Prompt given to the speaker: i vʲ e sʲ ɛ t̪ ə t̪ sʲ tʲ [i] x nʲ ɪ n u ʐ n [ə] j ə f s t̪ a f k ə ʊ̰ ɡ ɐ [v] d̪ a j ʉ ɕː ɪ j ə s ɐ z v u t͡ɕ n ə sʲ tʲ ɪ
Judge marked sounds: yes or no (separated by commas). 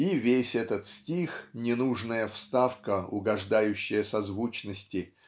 yes, yes, no